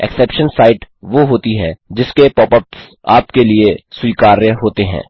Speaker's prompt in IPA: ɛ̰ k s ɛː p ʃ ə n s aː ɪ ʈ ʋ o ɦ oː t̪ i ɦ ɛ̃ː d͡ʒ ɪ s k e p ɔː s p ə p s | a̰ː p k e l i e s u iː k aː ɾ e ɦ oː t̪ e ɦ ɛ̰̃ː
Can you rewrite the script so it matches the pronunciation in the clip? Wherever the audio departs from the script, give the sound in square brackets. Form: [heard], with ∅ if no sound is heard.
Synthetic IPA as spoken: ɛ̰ k s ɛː p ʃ ə n s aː ɪ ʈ ʋ o ɦ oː t̪ i ɦ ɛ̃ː d͡ʒ ɪ s k e p ɔː [∅] p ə p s | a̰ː p k e l i e s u iː k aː ɾ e ɦ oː t̪ e ɦ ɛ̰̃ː